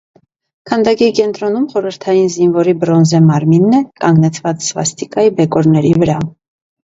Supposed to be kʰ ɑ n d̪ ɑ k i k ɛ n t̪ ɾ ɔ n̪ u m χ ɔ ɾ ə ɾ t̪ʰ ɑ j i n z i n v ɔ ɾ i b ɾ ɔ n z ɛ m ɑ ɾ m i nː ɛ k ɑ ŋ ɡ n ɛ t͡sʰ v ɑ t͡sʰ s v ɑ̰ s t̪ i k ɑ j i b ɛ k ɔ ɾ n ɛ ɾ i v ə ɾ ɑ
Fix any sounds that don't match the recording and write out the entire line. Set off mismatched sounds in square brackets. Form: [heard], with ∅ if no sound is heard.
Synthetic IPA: kʰ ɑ n d̪ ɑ k i k ɛ n t̪ ɾ ɔ n̪ u m χ ɔ ɾ ə ɾ t̪ʰ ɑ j i n z i n v ɔ ɾ i b ɾ ɔ n z ɛ m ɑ ɾ m i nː ɛ k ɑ ŋ ɡ n ɛ t͡sʰ v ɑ [t͡s] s v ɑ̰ s t̪ i k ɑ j i b ɛ k ɔ ɾ n ɛ ɾ i v ə ɾ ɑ